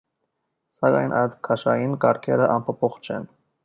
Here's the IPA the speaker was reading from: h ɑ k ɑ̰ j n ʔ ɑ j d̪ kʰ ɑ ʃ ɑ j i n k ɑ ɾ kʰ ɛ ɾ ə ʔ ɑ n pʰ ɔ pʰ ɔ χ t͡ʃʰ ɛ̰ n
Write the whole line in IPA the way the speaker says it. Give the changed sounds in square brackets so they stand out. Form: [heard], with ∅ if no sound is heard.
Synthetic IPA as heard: [s] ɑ k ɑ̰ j n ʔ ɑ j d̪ kʰ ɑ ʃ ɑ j i n k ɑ ɾ kʰ ɛ ɾ ə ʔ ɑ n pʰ ɔ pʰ ɔ χ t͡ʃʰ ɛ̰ n